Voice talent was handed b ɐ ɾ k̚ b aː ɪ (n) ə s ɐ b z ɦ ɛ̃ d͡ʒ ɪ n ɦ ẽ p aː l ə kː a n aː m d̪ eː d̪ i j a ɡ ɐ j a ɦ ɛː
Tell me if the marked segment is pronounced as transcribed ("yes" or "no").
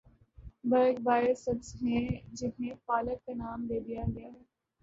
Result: no